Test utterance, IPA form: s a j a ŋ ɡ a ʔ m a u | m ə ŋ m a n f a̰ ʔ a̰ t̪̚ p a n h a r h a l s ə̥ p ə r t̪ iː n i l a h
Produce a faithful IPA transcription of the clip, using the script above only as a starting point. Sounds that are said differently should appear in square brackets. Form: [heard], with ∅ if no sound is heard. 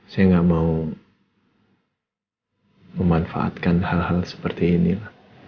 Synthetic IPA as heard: s a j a ŋ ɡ a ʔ m a u | m ə [∅] m a n f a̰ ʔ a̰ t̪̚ [k] a n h a [l] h a l s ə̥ p ə r t̪ iː n i l a h